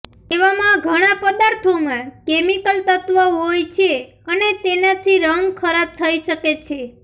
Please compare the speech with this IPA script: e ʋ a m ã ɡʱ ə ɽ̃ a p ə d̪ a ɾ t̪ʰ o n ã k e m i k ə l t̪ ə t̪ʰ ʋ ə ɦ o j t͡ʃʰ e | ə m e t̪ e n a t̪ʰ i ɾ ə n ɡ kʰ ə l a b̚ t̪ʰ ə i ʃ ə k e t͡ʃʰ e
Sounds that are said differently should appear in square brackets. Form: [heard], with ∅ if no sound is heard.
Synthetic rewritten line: e ʋ a m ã ɡʱ ə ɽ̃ a p ə d̪ a ɾ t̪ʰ o [m] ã k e m i k ə l t̪ ə [t̪] ʋ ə ɦ o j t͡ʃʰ e | ə [n] e t̪ e n a t̪ʰ i ɾ ə [ŋ] ɡ kʰ ə [ɾ] a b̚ t̪ʰ ə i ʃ ə k e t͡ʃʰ e

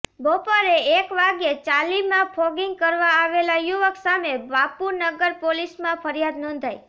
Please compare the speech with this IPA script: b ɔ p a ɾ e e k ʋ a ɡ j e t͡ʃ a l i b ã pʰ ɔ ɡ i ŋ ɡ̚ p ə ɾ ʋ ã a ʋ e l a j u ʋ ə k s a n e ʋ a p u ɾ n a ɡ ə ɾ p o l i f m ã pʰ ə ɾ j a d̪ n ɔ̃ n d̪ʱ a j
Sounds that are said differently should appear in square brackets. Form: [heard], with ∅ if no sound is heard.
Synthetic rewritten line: b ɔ p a ɾ e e k ʋ a ɡ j e t͡ʃ a l i [m] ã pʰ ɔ ɡ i ŋ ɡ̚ [k] ə ɾ ʋ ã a ʋ e l a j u ʋ ə k s a [m] e ʋ a p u ɾ n [ə] ɡ ə ɾ p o l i [s] m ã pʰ ə ɾ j a d̪ n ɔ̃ n d̪ʱ a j

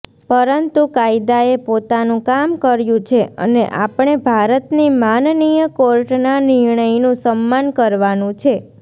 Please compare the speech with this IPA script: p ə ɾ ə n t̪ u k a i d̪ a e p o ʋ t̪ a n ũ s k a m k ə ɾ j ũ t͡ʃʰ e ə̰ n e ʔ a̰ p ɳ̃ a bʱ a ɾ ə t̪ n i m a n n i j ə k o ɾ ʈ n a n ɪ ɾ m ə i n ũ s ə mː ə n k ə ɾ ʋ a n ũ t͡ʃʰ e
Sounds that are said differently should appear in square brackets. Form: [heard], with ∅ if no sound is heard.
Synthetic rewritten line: p ə ɾ ə n t̪ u k a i d̪ a e p o [∅] t̪ a n ũ [∅] k a m k ə ɾ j ũ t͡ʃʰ e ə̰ n e ʔ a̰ p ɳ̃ [e] bʱ a ɾ ə t̪ n i m a n n i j ə k o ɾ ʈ n a n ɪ ɾ [ɳ] ə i n ũ s ə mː [a] n k ə ɾ ʋ a n ũ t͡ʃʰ e

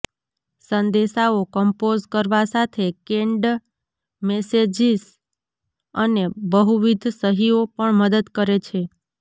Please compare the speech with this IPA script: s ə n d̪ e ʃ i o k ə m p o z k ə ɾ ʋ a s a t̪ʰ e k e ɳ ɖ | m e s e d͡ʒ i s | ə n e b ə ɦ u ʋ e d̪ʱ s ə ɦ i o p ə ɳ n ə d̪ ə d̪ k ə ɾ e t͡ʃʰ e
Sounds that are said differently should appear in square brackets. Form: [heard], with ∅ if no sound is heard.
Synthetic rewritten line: s ə n d̪ e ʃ [a] o k ə m p o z k ə ɾ ʋ a s a t̪ʰ e k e ɳ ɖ | m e s e d͡ʒ i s | ə n e b ə ɦ u ʋ [i] d̪ʱ s ə ɦ i o p ə ɳ [m] ə d̪ ə d̪ k ə ɾ e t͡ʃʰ e

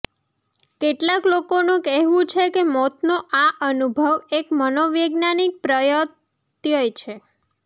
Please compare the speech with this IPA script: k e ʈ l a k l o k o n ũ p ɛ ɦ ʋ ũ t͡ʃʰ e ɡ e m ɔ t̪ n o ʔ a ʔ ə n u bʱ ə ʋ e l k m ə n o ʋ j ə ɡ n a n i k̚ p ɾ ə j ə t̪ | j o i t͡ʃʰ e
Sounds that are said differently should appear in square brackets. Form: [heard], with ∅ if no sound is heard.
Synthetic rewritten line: k e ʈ l a k l o k o n ũ [k] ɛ ɦ ʋ ũ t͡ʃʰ e [k] e m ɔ t̪ n o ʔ a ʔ ə n u bʱ ə ʋ e [∅] k m ə n o ʋ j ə ɡ n a n i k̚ p ɾ ə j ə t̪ | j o [j] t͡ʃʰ e

